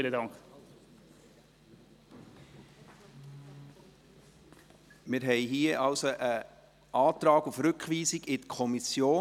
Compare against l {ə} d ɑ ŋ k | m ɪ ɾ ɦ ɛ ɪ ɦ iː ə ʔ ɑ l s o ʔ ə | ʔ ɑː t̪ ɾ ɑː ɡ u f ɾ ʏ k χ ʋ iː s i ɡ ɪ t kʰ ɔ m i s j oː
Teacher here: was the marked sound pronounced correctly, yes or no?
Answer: yes